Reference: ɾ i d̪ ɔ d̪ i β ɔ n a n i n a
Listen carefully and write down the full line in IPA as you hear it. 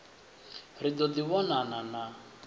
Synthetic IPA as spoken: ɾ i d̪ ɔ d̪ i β ɔ n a n a n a

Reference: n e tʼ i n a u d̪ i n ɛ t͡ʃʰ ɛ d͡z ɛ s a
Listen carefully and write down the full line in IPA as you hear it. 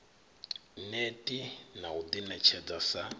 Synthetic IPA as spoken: n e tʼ i n a u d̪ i n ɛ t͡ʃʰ ɛ d͡z a s a

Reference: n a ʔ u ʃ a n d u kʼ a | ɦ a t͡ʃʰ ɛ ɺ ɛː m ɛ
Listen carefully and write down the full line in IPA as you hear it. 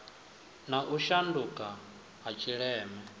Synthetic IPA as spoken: n a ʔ u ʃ a n d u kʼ a | ɦ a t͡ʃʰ i ɺ ɛː m ɛ

